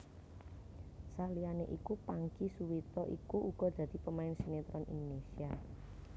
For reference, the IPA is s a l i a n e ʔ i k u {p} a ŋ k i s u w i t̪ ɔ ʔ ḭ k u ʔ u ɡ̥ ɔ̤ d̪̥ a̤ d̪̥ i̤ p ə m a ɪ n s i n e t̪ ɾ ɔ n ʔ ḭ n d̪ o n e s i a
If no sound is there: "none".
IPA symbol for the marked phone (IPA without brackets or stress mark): p